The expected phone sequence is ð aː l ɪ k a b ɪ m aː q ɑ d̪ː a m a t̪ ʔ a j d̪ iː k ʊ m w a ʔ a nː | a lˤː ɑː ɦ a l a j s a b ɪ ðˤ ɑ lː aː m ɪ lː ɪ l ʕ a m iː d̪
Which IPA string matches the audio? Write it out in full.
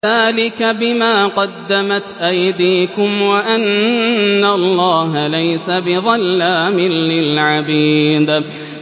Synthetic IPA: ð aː l ɪ k a b ɪ m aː q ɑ d̪ː a m a t̪ ʔ a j d̪ iː k ʊ m w a ʔ a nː | a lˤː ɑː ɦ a l a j s a b ɪ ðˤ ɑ lː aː m ɪ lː ɪ l ʕ a b iː d̪